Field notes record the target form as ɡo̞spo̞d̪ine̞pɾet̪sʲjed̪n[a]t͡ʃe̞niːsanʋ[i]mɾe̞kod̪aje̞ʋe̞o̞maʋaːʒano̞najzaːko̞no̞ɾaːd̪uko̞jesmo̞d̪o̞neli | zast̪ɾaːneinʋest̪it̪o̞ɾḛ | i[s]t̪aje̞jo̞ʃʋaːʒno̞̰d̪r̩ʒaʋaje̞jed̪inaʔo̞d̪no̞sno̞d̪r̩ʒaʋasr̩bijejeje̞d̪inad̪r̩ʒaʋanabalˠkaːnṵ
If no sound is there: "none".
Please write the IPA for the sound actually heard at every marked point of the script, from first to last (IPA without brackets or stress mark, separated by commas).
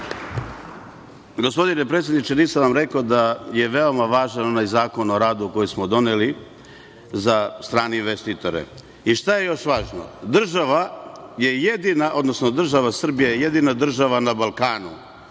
i, a, ʃ